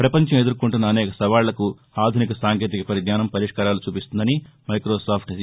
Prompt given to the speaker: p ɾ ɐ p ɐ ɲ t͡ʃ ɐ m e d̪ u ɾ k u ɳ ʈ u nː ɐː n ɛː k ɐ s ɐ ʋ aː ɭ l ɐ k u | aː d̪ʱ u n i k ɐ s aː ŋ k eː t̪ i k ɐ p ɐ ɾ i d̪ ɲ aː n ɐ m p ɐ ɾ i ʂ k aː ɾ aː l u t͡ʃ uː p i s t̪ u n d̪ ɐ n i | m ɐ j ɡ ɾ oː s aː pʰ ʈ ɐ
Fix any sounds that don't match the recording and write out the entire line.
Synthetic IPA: p ɾ ɐ p ɐ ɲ t͡ʃ ɐ m e d̪ u ɾ k u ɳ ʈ u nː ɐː n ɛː k ɐ s ɐ ʋ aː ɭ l ɐ k u | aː d̪ʱ u n i k ɐ s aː ŋ k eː t̪ i k ɐ p ɐ ɾ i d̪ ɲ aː n ɐ m p ɐ ɾ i ʂ k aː ɾ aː l u t͡ʃ uː p i s t̪ u n d̪ ɐ n i | m ɐ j k ɾ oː s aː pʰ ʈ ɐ